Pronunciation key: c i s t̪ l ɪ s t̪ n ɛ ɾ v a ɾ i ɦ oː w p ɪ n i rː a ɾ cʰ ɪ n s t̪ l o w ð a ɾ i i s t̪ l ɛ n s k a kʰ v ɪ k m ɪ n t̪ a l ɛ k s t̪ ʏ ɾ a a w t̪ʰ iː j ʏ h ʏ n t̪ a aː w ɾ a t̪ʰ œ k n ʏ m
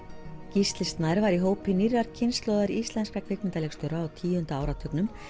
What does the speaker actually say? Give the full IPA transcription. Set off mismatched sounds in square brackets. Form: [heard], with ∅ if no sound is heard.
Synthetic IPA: c i s t̪ l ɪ s t̪ n [a] ɾ v a ɾ i ɦ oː w p ɪ n i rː a ɾ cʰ ɪ n s t̪ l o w ð a ɾ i i s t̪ l ɛ n s k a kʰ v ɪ k m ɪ n t̪ a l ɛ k s t̪ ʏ ɾ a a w t̪ʰ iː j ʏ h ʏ n t̪ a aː w ɾ a t̪ʰ œ k n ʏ m